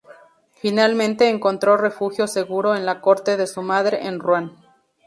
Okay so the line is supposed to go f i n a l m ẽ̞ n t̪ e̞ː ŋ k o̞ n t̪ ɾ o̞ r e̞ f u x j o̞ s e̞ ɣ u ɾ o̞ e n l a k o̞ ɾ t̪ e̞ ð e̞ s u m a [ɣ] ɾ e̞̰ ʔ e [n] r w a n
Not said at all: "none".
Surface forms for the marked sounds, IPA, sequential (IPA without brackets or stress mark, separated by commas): ð, n